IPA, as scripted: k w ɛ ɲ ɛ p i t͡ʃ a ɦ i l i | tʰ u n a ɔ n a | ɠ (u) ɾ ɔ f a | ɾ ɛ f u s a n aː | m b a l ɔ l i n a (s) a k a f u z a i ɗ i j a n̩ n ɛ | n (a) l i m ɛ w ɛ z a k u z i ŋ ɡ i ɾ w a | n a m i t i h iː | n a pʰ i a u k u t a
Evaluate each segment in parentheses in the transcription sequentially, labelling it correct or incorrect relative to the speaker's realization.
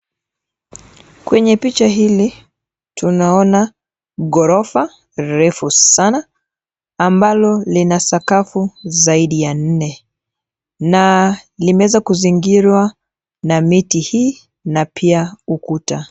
incorrect, correct, correct

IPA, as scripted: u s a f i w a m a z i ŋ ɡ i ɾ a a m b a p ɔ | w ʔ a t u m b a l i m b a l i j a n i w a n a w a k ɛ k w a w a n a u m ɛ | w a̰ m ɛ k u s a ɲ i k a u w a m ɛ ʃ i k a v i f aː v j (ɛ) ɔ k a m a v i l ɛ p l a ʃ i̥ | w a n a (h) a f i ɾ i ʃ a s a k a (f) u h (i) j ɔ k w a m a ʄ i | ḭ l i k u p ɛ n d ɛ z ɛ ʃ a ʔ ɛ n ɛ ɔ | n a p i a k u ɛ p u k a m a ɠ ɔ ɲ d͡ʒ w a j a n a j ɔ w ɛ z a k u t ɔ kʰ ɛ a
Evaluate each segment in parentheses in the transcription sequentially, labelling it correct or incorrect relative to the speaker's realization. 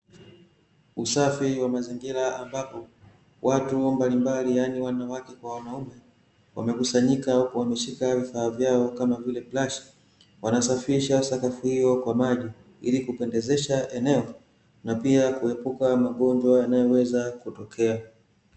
incorrect, incorrect, correct, correct

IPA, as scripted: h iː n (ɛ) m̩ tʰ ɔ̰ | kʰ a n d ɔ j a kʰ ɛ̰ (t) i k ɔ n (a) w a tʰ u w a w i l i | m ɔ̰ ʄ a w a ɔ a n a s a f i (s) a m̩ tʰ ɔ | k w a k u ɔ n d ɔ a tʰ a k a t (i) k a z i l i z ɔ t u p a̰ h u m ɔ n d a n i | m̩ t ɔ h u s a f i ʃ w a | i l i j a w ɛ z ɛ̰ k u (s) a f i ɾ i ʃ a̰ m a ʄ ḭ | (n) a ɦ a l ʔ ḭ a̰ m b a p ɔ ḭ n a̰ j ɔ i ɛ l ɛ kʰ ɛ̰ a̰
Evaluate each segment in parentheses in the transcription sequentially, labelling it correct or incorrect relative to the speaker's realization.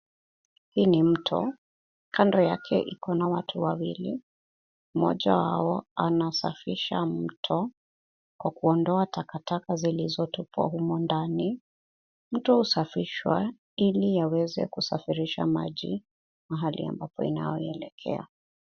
incorrect, incorrect, correct, incorrect, incorrect, correct, incorrect

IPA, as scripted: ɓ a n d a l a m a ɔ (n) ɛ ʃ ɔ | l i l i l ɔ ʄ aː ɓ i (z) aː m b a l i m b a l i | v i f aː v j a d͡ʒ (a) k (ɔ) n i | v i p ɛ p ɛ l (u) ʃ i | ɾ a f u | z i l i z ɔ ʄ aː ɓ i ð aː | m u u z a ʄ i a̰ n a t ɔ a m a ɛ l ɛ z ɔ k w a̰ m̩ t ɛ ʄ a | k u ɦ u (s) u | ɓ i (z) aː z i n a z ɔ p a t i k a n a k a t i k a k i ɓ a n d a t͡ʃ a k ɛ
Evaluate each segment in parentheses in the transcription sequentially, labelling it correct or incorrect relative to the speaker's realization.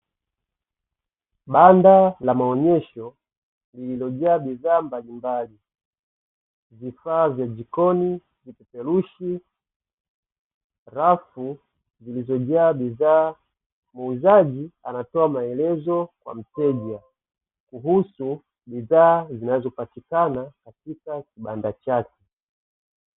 incorrect, incorrect, incorrect, correct, correct, correct, incorrect

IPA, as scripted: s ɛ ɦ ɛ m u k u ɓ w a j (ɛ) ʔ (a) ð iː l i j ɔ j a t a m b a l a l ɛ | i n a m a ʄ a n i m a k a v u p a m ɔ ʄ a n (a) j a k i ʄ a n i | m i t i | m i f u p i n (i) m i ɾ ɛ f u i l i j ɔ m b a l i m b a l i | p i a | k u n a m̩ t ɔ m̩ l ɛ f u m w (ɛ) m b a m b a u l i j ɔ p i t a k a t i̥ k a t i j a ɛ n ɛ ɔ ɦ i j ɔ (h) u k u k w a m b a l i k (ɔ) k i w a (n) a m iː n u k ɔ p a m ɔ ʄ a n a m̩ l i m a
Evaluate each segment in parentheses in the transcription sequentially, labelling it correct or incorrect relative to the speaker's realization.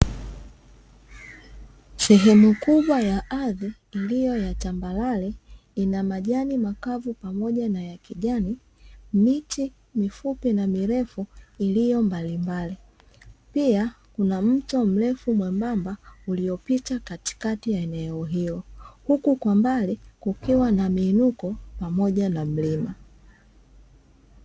incorrect, correct, correct, incorrect, correct, correct, incorrect, correct

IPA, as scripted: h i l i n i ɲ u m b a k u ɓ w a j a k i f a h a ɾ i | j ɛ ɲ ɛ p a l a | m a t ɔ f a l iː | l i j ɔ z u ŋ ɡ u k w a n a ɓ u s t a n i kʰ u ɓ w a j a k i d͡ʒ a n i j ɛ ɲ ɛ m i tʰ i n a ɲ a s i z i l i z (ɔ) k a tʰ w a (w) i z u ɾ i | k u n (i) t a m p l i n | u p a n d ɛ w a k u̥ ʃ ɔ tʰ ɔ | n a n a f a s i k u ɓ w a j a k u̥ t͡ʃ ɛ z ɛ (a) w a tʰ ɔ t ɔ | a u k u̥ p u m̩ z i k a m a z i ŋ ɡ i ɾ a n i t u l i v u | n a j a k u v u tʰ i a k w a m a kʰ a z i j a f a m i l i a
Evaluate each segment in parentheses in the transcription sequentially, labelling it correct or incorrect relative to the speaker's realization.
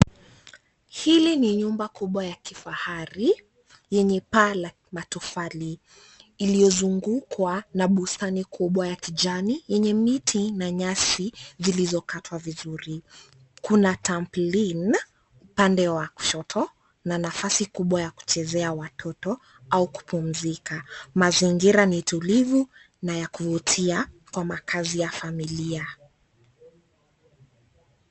correct, incorrect, incorrect, correct

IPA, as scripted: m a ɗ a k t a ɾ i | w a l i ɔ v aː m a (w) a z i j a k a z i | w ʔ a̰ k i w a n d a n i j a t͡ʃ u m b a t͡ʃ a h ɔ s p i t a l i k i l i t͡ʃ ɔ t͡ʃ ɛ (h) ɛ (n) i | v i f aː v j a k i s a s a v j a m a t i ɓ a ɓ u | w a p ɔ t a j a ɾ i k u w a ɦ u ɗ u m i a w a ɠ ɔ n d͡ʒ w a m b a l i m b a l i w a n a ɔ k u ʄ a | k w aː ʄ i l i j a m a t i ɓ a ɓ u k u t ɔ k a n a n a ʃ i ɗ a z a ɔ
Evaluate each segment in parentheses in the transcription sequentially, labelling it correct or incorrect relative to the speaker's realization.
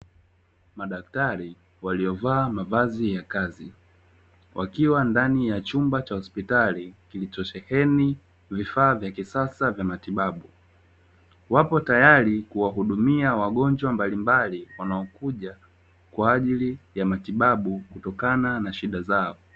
incorrect, correct, correct

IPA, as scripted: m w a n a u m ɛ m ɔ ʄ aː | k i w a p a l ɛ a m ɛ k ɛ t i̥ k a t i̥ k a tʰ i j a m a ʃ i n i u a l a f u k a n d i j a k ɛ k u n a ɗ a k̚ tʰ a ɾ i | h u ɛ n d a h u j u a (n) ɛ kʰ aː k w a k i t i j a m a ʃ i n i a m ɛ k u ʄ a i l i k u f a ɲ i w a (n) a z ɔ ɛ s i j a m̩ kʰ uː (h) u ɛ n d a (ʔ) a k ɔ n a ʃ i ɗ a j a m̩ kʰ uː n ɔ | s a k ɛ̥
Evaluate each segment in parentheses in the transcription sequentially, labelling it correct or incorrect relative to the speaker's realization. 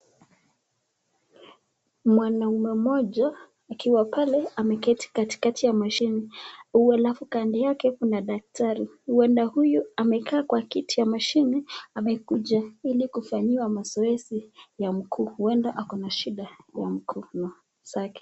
incorrect, incorrect, correct, correct

